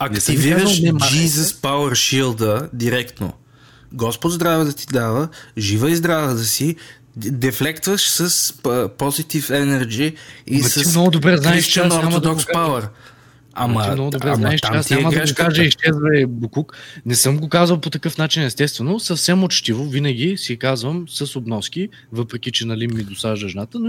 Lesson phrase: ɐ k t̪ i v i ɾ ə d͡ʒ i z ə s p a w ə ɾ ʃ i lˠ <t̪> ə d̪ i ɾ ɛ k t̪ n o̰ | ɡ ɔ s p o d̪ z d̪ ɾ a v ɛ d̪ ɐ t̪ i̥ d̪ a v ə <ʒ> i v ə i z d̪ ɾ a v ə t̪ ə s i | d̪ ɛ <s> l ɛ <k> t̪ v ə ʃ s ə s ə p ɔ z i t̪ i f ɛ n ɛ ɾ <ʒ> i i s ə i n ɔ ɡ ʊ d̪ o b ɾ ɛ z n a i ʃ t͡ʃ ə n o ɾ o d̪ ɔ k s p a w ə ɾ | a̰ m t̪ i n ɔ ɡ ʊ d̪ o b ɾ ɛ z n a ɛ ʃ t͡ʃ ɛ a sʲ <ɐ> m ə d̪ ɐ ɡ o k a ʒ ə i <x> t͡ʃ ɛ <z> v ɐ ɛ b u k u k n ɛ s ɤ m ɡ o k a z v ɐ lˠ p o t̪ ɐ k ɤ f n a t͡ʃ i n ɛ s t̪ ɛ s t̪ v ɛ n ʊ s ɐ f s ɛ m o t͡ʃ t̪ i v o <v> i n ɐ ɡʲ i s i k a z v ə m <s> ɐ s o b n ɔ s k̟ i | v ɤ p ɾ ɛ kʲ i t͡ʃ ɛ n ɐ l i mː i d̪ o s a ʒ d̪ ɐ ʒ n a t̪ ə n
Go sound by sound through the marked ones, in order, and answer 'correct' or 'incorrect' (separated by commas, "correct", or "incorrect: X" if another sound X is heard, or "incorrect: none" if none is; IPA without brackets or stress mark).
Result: incorrect: d̪, correct, incorrect: f, correct, incorrect: d͡ʒ, incorrect: a, incorrect: ʃ, correct, correct, correct